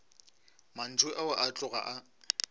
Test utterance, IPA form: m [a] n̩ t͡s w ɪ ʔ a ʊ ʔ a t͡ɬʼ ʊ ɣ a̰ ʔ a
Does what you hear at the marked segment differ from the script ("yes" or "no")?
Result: no